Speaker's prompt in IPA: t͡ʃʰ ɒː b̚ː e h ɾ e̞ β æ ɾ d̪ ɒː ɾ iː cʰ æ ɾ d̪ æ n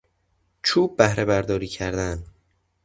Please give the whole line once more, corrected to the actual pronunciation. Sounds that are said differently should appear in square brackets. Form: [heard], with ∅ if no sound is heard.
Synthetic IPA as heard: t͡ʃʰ [uː] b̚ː [æ] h ɾ e̞ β æ ɾ d̪ ɒː ɾ iː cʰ æ ɾ d̪ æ n